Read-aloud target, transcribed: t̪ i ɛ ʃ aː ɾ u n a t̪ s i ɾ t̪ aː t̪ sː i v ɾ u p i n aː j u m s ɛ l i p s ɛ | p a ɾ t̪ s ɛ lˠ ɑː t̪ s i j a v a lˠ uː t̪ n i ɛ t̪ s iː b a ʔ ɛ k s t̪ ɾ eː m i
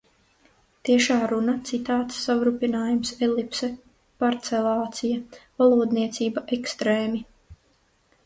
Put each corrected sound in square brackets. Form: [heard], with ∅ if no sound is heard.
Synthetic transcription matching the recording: t̪ i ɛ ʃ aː ɾ u n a t̪ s i [∅] t̪ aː t̪ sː [a] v ɾ u p i n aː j u m s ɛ l i p s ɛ | p a ɾ t̪ s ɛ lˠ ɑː t̪ s i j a v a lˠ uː [d̪] n i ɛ t̪ s iː b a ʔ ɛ k s t̪ ɾ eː m i